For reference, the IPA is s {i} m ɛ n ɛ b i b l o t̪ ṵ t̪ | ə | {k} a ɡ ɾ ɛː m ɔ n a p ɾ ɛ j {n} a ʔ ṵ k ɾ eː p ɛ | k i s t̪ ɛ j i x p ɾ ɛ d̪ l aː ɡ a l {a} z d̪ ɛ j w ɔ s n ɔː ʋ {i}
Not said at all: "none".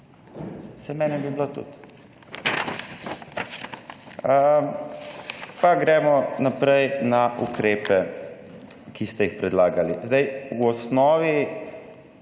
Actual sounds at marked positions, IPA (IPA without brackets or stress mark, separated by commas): ɛ, p, n, i, i